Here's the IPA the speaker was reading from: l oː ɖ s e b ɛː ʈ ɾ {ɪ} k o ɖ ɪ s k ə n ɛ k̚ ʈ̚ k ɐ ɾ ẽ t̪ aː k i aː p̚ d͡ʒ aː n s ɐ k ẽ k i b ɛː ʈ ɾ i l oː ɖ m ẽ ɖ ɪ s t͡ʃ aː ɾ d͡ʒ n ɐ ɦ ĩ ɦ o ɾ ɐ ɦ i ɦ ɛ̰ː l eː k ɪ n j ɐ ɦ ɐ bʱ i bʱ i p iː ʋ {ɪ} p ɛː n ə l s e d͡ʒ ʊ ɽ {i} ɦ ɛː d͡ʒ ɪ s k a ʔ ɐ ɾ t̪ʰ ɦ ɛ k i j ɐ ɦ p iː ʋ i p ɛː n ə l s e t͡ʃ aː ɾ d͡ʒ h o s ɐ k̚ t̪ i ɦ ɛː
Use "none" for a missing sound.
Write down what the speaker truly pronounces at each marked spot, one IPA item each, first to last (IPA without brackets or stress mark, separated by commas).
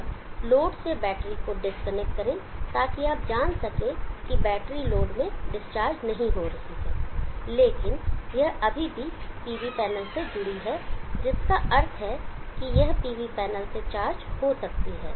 i, i, i